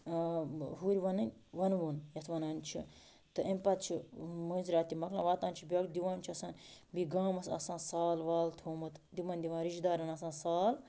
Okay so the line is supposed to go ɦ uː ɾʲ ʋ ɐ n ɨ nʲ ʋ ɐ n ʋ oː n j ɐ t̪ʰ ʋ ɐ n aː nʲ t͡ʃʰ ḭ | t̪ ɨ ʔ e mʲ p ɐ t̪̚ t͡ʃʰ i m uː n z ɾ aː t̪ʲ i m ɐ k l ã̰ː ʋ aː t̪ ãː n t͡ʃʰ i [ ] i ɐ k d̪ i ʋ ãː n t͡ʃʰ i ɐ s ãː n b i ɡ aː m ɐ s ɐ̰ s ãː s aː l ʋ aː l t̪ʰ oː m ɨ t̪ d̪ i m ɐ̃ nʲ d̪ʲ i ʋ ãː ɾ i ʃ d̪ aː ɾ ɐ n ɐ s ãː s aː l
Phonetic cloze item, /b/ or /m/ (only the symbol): b